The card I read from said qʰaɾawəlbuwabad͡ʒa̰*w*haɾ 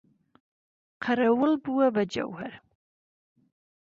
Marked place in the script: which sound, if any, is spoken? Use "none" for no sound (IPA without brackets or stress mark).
w